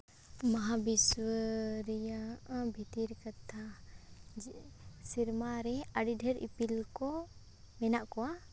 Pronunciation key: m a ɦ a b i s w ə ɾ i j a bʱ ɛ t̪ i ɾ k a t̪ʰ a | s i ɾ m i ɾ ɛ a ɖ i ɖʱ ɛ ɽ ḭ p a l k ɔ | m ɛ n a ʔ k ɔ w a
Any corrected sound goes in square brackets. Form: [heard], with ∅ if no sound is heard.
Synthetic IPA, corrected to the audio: m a ɦ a b i s w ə ɾ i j a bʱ [i] t̪ i ɾ k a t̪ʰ a | s i ɾ m [a] ɾ ɛ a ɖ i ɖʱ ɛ [ɾ] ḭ p [i] l k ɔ | m ɛ n a ʔ k ɔ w a